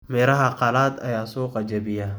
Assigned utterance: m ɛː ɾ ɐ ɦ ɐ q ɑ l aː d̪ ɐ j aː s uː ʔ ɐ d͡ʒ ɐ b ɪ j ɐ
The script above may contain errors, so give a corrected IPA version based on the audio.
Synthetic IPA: m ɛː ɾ ɐ ɦ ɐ q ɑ l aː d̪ ɐ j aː s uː q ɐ d͡ʒ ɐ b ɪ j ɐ